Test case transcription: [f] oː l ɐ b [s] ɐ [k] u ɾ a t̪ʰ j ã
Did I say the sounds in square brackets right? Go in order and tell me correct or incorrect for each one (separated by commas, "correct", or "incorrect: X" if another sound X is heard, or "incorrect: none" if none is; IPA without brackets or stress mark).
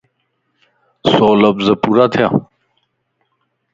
incorrect: s, incorrect: z, incorrect: p